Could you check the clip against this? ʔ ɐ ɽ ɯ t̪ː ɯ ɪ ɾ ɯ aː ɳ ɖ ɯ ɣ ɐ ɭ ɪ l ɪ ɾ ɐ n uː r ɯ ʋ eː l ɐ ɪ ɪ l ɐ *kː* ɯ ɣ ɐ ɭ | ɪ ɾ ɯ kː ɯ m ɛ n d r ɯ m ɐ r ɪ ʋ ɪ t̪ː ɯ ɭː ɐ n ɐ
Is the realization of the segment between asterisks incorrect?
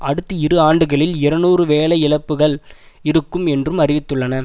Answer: yes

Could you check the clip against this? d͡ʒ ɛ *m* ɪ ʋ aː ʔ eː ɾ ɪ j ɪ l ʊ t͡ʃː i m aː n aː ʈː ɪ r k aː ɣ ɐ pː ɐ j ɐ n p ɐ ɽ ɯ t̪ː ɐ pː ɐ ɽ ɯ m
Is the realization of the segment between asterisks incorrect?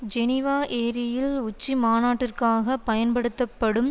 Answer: yes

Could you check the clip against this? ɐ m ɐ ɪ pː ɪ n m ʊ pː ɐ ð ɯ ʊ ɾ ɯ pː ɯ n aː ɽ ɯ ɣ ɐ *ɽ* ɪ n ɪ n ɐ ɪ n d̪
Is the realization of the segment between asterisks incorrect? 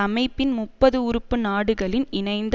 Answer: yes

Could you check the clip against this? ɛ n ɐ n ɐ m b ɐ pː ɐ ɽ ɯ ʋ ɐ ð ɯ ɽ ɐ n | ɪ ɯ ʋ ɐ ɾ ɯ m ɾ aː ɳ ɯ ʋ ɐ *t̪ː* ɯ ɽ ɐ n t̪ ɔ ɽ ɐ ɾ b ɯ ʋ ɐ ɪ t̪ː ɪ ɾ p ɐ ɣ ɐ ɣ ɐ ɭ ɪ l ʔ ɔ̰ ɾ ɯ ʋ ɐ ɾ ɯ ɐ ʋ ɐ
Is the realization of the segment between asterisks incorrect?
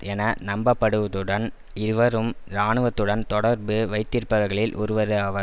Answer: no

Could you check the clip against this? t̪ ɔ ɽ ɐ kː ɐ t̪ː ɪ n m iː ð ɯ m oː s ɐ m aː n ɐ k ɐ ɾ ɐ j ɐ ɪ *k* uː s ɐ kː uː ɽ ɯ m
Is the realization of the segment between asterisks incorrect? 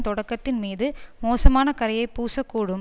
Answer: yes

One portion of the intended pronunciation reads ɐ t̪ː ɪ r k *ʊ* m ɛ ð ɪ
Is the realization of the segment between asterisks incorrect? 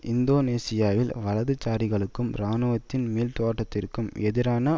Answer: yes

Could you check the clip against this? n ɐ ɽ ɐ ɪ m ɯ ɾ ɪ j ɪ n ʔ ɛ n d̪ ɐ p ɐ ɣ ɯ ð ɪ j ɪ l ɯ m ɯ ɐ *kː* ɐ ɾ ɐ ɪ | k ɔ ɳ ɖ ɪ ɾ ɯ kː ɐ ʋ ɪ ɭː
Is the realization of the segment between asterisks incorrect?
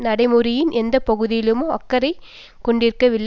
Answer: no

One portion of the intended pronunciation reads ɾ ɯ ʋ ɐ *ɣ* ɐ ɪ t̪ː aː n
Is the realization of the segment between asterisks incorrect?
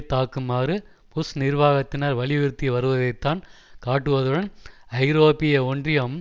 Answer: yes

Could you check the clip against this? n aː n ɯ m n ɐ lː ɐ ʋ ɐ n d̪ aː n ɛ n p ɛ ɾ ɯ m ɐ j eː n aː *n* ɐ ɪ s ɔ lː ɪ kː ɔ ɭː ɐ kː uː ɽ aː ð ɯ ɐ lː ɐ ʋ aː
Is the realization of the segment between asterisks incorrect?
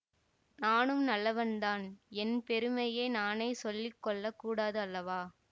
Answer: no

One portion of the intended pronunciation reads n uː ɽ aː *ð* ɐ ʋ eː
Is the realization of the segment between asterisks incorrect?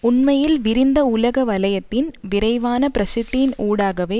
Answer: yes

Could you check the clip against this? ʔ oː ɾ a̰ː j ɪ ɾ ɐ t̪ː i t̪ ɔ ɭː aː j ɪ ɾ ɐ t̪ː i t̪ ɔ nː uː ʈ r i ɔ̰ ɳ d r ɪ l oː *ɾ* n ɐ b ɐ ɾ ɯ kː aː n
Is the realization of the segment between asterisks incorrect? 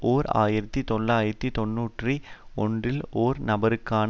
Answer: no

